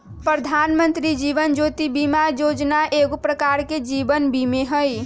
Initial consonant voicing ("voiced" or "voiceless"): voiceless